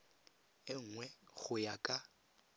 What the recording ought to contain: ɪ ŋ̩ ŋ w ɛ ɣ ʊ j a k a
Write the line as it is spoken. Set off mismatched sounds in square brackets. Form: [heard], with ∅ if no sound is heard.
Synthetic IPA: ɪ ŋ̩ ŋ w ɛ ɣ ʊ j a [kʼ] a